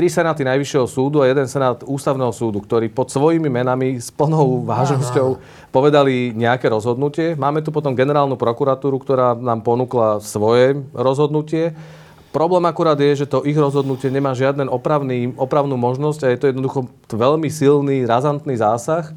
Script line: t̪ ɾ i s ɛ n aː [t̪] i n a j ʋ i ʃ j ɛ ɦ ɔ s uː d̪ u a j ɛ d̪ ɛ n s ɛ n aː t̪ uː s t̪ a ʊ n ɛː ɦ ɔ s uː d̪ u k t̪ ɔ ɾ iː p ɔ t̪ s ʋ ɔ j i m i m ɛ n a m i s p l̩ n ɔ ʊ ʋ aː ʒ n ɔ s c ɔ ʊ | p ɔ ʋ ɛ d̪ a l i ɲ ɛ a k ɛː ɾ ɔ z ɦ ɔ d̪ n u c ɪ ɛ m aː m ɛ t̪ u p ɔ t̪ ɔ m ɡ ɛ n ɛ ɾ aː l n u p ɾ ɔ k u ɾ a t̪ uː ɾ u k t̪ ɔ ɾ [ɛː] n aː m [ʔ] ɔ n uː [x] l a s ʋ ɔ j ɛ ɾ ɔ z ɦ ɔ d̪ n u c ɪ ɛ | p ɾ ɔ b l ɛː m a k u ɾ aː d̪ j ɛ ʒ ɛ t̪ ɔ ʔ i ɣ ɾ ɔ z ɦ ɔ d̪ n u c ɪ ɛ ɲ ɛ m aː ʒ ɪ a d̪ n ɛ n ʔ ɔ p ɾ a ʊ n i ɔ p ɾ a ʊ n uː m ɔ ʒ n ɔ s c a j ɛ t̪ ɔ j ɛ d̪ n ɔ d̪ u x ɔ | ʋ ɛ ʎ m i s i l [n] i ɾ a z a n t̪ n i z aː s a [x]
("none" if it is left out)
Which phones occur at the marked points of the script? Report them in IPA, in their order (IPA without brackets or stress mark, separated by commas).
t̪, aː, p, k, n, x